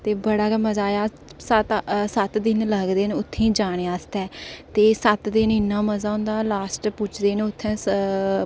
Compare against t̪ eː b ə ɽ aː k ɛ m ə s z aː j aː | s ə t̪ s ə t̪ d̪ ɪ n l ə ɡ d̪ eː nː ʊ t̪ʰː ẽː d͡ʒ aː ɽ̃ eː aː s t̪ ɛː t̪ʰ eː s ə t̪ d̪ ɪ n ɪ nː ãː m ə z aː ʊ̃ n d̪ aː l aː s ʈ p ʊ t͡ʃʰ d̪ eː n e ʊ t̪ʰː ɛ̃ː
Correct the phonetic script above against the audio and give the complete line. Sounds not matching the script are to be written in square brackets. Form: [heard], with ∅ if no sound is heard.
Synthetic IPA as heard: t̪ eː b ə ɽ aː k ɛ m ə [∅] z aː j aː | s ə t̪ s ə t̪ d̪ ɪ n l ə ɡ d̪ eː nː ʊ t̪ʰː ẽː d͡ʒ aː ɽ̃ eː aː s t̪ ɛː [t̪] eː s ə t̪ d̪ ɪ n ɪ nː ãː m ə z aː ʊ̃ n d̪ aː l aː s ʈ p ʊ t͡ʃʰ d̪ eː n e ʊ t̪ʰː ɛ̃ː

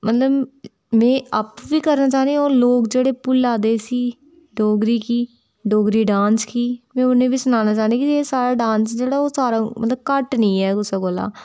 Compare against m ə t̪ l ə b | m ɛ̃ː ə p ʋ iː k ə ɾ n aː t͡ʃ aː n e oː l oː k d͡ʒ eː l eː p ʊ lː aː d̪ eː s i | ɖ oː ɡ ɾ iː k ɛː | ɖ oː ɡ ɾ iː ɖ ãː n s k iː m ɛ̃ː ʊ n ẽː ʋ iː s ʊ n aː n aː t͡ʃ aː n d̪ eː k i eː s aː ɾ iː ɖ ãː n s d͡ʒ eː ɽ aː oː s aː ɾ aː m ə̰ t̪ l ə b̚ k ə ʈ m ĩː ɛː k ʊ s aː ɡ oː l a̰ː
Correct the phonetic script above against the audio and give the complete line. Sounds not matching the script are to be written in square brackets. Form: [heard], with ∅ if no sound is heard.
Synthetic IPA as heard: m ə t̪ l ə b | m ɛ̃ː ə p ʋ iː k ə ɾ n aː t͡ʃ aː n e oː l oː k d͡ʒ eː [ɽ] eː p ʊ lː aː d̪ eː s [iː] | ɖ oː ɡ ɾ iː k [iː] | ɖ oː ɡ ɾ iː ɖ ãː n s k iː m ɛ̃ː ʊ n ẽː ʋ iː s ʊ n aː n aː t͡ʃ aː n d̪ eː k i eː s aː ɾ [aː] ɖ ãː n s d͡ʒ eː ɽ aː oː s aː ɾ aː m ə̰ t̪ l ə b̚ k ə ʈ [n] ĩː ɛː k ʊ s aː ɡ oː l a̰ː

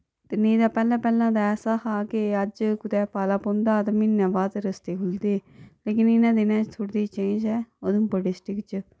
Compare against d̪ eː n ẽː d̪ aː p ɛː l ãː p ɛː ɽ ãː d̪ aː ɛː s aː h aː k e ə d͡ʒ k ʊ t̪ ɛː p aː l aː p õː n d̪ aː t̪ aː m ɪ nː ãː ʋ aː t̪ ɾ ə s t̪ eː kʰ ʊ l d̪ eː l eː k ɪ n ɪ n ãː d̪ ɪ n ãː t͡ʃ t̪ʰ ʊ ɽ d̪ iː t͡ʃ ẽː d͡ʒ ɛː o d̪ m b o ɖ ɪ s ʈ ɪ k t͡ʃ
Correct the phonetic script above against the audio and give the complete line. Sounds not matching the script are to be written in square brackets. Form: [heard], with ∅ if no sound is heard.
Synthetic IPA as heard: [t̪] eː n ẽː d̪ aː p ɛː l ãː p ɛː [l] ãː d̪ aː ɛː s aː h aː k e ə d͡ʒ k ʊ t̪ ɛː p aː l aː p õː n d̪ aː t̪ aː m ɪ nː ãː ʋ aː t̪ ɾ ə s t̪ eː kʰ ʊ l d̪ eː l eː k ɪ n ɪ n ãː d̪ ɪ n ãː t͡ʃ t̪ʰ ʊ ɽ d̪ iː t͡ʃ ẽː d͡ʒ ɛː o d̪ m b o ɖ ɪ s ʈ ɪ k t͡ʃ

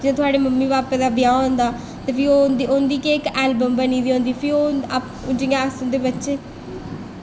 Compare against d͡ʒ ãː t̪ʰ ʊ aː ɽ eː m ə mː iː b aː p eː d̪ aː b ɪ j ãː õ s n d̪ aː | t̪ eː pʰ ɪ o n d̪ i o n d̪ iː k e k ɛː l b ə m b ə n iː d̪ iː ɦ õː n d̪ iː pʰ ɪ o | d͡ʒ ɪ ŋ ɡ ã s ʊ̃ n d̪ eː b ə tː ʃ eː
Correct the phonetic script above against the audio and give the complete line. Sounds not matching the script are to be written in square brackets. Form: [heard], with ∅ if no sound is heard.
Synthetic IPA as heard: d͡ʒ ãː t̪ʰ ʊ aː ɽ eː m ə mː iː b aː p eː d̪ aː b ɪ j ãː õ [∅] n d̪ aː | t̪ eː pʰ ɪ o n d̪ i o n d̪ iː k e k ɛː l b ə m b ə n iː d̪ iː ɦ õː n d̪ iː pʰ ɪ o | d͡ʒ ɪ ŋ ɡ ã s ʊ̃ n d̪ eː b ə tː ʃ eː

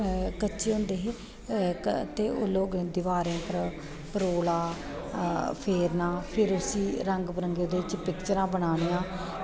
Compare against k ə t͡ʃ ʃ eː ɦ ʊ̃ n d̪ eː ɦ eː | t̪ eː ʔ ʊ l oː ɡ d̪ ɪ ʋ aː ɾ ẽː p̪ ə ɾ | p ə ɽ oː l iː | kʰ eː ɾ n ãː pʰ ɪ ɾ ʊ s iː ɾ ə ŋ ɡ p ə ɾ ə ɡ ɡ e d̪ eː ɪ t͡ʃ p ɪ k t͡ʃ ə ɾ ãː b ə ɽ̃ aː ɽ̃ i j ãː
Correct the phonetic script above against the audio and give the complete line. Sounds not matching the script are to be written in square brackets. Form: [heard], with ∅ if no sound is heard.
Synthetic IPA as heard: k ə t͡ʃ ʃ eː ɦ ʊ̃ n d̪ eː ɦ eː | t̪ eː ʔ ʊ l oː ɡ d̪ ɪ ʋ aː ɾ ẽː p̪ ə ɾ | p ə [ɾ] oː l [aː] | [pʰ] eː ɾ n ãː pʰ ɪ ɾ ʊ s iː ɾ ə ŋ ɡ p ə ɾ ə [ŋ] ɡ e d̪ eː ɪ t͡ʃ p ɪ k t͡ʃ ə ɾ ãː b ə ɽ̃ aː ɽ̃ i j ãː

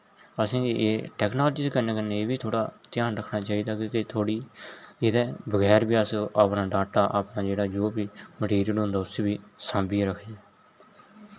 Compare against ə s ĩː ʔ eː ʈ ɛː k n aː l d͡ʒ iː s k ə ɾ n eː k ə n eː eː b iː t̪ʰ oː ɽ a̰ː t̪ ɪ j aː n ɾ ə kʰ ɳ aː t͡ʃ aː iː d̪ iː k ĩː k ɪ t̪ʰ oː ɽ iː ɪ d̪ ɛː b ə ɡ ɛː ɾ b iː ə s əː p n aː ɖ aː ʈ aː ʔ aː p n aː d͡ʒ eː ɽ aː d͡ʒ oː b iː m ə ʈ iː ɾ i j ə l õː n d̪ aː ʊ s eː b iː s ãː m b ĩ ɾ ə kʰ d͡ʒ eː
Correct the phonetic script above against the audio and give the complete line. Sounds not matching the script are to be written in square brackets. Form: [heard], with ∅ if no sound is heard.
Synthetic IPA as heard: ə s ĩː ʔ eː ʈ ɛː k n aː l d͡ʒ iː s k ə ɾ n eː k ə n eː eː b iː t̪ʰ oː ɽ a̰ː t̪ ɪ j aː n ɾ ə kʰ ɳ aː t͡ʃ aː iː d̪ [aː] k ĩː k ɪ t̪ʰ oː ɽ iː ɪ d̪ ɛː b ə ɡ ɛː ɾ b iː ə s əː p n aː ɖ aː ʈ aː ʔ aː p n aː d͡ʒ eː ɽ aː d͡ʒ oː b iː m ə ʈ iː ɾ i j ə l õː n d̪ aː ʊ s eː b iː s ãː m b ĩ ɾ ə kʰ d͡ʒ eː

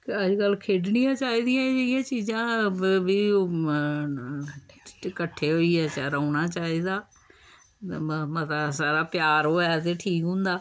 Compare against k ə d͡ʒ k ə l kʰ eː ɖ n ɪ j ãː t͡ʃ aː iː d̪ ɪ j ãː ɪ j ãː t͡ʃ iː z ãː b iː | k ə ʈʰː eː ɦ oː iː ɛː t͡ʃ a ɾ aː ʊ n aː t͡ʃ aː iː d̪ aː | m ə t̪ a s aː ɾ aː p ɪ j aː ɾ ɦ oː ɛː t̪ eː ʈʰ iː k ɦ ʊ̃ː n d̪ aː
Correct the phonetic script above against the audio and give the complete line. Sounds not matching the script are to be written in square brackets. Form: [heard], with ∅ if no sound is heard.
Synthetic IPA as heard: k ə d͡ʒ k ə l kʰ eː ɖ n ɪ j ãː t͡ʃ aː iː d̪ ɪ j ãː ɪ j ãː t͡ʃ iː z ãː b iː | k ə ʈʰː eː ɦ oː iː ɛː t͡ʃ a ɾ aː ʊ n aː t͡ʃ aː iː d̪ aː | m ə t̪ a s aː ɾ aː p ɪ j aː ɾ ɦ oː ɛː t̪ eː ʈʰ iː k ɦ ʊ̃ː n d̪ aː

